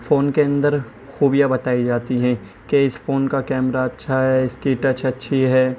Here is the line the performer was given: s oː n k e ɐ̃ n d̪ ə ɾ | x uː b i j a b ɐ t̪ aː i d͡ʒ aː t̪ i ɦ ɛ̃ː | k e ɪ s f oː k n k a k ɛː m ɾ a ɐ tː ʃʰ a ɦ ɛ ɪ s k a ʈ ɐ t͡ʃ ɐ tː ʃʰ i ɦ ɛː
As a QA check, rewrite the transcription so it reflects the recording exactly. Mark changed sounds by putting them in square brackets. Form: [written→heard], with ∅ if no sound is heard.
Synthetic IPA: [s→f] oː n k e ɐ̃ n d̪ ə ɾ | x uː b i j a b ɐ t̪ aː i d͡ʒ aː t̪ i ɦ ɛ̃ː | k e ɪ s f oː [k→∅] n k a k ɛː m ɾ a ɐ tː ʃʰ a ɦ ɛ ɪ s k [a→i] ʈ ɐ t͡ʃ ɐ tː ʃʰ i ɦ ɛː

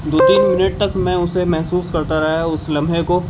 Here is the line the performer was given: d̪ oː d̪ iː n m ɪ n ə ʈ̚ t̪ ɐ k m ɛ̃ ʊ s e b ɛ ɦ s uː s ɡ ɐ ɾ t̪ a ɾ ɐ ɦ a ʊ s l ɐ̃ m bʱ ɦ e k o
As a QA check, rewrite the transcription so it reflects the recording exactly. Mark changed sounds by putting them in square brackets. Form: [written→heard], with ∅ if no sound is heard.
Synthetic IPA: d̪ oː [d̪→t̪] iː n m ɪ n ə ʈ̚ t̪ ɐ k m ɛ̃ ʊ s e [b→m] ɛ ɦ s uː s [ɡ→k] ɐ ɾ t̪ a ɾ ɐ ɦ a ʊ s l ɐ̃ m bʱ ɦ e k o

